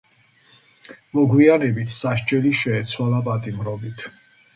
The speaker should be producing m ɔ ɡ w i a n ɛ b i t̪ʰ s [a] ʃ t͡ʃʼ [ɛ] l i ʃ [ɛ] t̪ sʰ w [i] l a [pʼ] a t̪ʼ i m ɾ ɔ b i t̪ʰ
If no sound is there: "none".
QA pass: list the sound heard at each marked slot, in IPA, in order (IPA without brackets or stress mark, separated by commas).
a, ɛ, ɛː, a, pʼ